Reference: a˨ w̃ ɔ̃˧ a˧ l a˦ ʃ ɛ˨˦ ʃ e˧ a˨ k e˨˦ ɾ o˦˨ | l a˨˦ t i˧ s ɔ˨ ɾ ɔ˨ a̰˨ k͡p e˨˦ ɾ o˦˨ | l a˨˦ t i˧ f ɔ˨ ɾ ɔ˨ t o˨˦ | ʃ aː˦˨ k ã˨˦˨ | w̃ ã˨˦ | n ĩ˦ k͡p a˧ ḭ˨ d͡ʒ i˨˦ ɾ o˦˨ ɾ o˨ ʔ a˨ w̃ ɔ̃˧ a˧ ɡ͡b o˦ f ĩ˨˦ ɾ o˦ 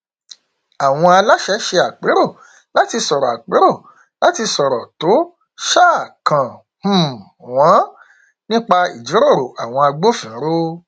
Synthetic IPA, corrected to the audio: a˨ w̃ ɔ̃˧ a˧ l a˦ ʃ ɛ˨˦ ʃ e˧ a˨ k͡p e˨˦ ɾ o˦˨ | l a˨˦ t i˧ s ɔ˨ ɾ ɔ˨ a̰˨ k͡p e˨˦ ɾ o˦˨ | l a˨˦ t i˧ s ɔ˨ ɾ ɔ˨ t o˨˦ | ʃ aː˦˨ k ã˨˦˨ | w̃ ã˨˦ | n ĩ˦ k͡p a˧ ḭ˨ d͡ʒ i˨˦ ɾ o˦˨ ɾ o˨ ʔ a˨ w̃ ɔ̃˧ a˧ ɡ͡b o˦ f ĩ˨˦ ɾ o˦